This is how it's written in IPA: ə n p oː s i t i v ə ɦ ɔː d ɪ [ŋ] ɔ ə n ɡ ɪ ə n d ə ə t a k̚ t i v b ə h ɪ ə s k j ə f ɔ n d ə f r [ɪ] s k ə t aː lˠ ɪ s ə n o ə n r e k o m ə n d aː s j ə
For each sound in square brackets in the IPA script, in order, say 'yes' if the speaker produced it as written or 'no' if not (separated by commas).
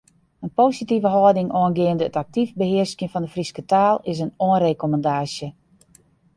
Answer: yes, no